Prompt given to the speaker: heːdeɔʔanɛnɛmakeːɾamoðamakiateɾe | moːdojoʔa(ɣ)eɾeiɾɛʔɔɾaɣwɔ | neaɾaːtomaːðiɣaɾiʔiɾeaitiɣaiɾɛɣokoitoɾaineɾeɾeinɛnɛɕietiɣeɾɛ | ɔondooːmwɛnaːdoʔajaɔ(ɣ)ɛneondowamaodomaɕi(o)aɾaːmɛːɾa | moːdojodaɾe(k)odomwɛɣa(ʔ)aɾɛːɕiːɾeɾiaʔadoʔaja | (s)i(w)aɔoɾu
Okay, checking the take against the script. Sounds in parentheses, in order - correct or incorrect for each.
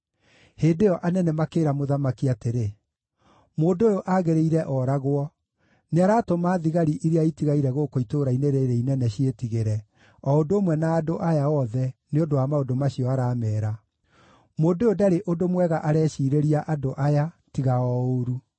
correct, incorrect, incorrect, incorrect, correct, incorrect, incorrect

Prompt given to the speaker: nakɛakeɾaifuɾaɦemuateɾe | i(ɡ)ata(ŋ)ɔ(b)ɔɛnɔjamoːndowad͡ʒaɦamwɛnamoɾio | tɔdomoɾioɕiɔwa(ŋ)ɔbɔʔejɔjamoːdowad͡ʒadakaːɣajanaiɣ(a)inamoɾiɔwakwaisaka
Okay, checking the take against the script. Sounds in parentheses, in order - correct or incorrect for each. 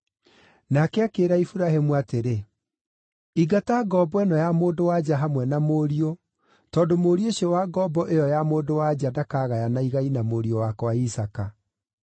correct, incorrect, correct, incorrect, correct

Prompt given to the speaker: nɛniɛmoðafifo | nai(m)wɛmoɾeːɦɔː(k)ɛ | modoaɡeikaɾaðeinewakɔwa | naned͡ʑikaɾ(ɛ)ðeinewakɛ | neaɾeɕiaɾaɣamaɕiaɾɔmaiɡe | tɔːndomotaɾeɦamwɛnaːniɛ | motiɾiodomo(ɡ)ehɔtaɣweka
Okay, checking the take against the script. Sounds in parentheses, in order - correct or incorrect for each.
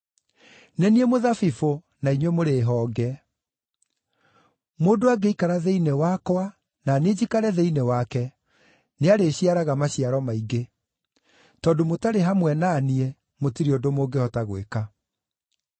incorrect, incorrect, correct, correct

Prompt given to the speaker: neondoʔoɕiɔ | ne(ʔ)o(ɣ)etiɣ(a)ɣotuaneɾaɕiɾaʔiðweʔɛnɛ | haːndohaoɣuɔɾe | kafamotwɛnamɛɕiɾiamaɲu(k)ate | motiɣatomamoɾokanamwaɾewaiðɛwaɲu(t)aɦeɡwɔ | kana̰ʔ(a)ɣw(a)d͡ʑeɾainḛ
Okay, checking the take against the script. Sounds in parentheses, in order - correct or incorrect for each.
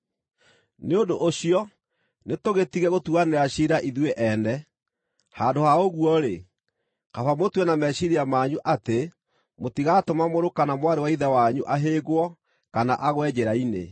incorrect, correct, incorrect, incorrect, incorrect, correct, incorrect

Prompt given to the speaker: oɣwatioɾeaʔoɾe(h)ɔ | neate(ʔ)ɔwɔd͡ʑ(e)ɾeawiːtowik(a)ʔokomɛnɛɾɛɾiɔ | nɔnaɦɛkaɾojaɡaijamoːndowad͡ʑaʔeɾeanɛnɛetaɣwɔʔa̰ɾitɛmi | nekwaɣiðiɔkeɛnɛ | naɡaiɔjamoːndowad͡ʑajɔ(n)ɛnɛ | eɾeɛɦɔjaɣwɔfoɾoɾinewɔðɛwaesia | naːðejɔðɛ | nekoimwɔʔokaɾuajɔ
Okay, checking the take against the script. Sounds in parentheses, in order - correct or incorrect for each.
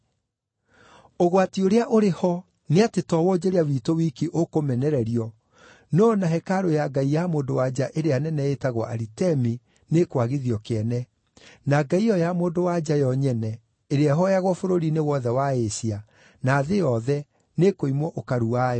correct, incorrect, correct, incorrect, incorrect

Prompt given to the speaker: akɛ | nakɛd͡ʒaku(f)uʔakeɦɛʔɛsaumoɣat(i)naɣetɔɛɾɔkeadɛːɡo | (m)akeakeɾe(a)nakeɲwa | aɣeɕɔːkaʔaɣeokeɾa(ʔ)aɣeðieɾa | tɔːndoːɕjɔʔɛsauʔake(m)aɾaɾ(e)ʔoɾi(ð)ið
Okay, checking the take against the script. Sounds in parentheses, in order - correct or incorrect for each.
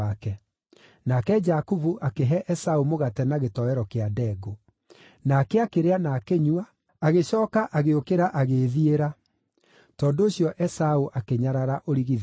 incorrect, incorrect, incorrect, correct, correct, incorrect, incorrect, incorrect

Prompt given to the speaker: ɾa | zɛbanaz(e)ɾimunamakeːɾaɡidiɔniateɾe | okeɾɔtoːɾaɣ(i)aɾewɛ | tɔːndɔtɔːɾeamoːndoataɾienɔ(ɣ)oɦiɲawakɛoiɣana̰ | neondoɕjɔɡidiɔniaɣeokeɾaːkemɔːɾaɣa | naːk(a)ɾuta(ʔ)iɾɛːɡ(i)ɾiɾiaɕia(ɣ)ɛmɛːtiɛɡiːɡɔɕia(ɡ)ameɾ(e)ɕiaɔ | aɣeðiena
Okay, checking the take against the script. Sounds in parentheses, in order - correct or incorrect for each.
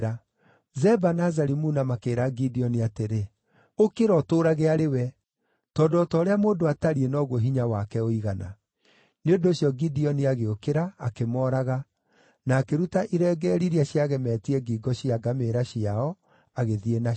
incorrect, incorrect, correct, incorrect, correct, incorrect, correct, correct, incorrect

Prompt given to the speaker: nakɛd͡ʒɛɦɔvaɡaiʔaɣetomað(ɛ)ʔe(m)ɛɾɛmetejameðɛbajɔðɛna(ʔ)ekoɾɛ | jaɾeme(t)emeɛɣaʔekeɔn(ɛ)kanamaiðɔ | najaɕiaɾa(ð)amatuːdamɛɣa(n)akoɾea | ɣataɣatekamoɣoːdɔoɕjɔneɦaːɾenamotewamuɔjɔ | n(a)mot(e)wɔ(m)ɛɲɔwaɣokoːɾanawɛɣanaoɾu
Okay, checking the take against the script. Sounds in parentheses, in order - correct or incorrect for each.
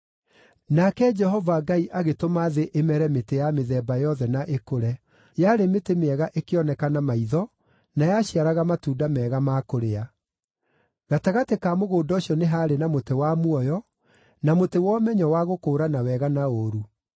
incorrect, correct, correct, correct, correct, incorrect, incorrect, correct, correct, correct

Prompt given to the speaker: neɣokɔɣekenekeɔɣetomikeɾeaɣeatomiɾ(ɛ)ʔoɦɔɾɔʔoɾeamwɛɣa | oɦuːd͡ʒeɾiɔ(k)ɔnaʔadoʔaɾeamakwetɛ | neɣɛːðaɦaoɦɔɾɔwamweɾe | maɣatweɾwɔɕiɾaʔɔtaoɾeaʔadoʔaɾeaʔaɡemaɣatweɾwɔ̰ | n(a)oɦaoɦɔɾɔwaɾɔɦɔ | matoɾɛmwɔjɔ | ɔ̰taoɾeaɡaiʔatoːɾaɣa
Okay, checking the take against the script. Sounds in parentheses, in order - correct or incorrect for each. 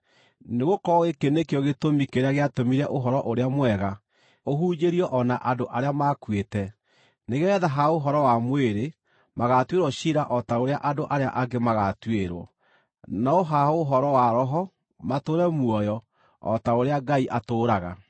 correct, incorrect, correct

